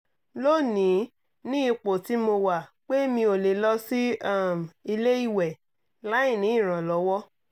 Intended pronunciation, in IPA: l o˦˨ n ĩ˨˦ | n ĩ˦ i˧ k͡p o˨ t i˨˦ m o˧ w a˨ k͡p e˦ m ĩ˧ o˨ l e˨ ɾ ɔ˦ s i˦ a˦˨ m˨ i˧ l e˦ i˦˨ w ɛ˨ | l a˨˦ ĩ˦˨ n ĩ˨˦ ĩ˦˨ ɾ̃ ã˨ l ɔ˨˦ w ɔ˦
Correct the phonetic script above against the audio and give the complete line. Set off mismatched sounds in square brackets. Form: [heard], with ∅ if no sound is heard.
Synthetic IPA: l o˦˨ n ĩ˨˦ | n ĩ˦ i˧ k͡p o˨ t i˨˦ m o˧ w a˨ k͡p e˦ m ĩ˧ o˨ l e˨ [l] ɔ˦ s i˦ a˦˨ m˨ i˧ l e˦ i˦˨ w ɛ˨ | l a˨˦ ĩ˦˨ n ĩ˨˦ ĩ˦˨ ɾ̃ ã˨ l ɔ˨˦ w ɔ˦